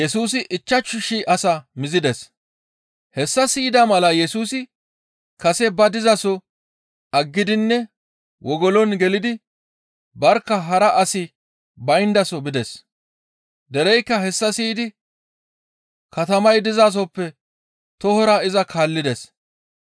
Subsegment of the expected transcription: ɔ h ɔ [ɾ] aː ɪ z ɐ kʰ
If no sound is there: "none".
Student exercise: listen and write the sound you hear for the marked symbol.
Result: ɾ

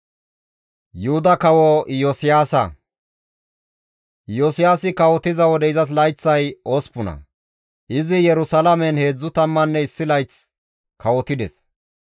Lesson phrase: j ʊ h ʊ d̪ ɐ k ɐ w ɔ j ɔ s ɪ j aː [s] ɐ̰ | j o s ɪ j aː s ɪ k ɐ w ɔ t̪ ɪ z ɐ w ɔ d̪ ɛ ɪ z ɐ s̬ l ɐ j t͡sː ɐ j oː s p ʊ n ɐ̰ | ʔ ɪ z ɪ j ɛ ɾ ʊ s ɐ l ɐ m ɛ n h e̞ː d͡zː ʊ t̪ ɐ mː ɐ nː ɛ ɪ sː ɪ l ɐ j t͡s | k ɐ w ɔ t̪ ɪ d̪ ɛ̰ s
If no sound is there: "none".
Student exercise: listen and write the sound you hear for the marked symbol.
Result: s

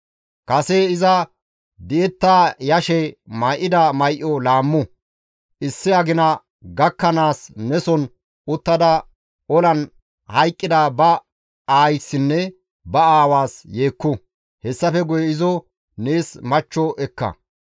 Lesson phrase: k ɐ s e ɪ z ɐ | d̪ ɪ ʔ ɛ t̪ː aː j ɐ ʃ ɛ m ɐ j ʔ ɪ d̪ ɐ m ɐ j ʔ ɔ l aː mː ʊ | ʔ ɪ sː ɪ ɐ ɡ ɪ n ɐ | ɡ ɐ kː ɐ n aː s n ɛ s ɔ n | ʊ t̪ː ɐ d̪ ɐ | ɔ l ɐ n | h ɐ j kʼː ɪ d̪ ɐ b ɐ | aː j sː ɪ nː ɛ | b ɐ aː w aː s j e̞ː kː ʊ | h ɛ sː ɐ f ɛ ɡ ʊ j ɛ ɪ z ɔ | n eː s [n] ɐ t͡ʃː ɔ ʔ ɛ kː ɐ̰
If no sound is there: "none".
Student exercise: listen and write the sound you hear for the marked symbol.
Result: m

